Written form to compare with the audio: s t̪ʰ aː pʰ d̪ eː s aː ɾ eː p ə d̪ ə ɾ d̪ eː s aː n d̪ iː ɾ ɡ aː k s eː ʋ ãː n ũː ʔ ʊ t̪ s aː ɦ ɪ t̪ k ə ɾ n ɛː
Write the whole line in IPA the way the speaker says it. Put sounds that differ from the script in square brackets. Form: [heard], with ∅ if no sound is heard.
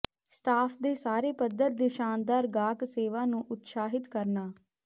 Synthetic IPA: s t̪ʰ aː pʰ d̪ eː s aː ɾ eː p ə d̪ ə ɾ d̪ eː [ʃ] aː n d̪ [aː] ɾ ɡ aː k s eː ʋ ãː n ũː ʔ ʊ t̪ s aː ɦ ɪ t̪ k ə ɾ n [aː]

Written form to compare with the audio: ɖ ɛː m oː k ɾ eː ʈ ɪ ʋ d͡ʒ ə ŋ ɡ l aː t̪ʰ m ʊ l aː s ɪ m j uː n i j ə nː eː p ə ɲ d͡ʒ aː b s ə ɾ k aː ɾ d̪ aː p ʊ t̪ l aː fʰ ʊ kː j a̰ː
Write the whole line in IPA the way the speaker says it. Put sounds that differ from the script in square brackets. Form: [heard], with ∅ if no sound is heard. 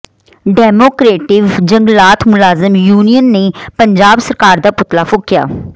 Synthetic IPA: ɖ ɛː m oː k ɾ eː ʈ ɪ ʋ d͡ʒ ə ŋ ɡ l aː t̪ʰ m ʊ l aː [z] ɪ m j uː n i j ə nː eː p ə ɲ d͡ʒ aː b s ə ɾ k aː ɾ d̪ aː p ʊ t̪ l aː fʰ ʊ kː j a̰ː

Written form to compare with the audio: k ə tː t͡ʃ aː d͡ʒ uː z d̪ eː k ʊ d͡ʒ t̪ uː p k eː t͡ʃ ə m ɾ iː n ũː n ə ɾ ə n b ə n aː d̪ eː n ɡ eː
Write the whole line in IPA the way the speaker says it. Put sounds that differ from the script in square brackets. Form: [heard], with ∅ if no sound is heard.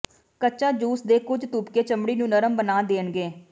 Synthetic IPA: k ə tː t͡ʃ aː d͡ʒ uː [s] d̪ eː k ʊ d͡ʒ t̪ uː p k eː t͡ʃ ə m [ɽ] iː n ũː n ə ɾ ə [m] b ə n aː d̪ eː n ɡ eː

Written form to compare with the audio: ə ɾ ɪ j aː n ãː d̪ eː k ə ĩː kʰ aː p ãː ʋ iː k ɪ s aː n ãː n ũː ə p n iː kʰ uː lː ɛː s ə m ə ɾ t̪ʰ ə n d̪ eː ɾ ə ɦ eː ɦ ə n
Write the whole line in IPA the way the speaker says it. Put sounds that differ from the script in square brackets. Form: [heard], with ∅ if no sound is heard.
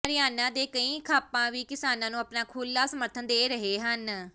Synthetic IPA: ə ɾ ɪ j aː n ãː d̪ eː k ə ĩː kʰ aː p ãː ʋ iː k ɪ s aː n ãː n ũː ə p n [aː] kʰ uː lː [aː] s ə m ə ɾ t̪ʰ ə n d̪ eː ɾ ə ɦ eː ɦ ə n

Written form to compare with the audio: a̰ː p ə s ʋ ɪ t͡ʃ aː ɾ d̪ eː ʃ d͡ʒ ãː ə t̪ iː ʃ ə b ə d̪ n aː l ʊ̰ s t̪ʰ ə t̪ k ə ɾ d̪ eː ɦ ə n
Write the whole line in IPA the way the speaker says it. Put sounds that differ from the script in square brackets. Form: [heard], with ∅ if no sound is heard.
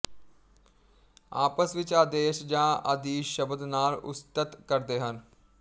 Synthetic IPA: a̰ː p ə s ʋ ɪ t͡ʃ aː [∅] d̪ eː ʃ d͡ʒ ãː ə [d̪] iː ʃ ə b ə d̪ n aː l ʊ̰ s [t̪] ə t̪ k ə ɾ d̪ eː ɦ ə n

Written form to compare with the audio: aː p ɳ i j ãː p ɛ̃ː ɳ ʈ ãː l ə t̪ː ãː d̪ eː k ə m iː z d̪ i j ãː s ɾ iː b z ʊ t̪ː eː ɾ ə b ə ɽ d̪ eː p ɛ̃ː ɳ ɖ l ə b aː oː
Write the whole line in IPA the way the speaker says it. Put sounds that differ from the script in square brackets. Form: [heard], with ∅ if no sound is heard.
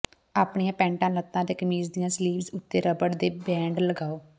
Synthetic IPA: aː p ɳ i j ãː p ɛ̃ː ɳ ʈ ãː l ə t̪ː ãː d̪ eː k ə m iː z d̪ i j ãː s [l] iː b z ʊ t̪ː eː ɾ ə b ə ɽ d̪ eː [b] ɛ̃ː ɳ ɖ l ə [ɡ] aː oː

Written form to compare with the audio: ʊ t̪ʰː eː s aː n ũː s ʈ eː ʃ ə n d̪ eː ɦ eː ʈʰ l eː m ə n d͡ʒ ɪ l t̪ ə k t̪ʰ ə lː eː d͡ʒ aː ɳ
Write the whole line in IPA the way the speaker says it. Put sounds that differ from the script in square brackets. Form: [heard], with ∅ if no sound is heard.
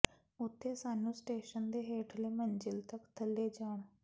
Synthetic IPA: ʊ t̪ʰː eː s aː n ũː s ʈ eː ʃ ə n d̪ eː ɦ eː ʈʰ l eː m ə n d͡ʒ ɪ l t̪ ə k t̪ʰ ə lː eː d͡ʒ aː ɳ

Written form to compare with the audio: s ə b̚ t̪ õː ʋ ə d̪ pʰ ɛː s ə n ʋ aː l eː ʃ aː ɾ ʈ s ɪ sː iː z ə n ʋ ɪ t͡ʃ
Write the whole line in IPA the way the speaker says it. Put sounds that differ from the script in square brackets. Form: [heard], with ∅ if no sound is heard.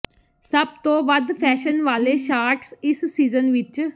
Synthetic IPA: s ə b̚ t̪ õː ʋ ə d̪ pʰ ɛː [ʃ] ə n ʋ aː l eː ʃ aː ɾ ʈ s ɪ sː iː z ə n ʋ ɪ t͡ʃ

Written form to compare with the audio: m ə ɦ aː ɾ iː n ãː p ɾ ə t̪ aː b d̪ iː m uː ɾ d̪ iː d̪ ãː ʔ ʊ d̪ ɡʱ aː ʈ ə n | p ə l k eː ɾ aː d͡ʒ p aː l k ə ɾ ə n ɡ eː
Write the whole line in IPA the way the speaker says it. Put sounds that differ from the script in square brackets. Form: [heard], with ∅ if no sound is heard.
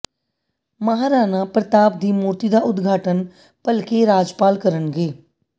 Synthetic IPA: m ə ɦ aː ɾ [aː] n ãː p ɾ ə t̪ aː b d̪ iː m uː ɾ [t̪] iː d̪ [aː] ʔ ʊ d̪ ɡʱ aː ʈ ə n | p ə l k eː ɾ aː d͡ʒ p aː l k ə ɾ ə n ɡ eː

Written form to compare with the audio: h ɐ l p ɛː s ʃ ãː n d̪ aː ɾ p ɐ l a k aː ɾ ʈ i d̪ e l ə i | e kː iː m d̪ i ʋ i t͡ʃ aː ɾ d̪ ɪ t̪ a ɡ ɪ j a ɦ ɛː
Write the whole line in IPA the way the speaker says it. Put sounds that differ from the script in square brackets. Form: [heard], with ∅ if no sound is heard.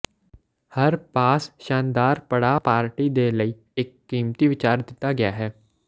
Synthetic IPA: h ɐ [ɾ] p [aː] s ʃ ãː n d̪ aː ɾ p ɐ [ɽ] a [p] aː ɾ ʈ i d̪ e l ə i | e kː iː m [t̪] i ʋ [ɪ] t͡ʃ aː ɾ d̪ ɪ t̪ a ɡ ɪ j a ɦ ɛː

